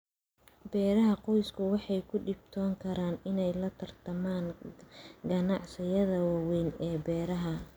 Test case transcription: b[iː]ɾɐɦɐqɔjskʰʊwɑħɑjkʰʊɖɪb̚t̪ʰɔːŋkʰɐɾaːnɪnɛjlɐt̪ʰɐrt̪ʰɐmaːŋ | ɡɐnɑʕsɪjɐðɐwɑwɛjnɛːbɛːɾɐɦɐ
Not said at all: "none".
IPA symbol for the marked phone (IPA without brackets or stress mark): ɛː